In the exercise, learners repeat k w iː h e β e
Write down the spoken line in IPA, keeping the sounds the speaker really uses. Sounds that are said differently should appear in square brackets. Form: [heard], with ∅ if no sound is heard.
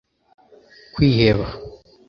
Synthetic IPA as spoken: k w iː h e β [a]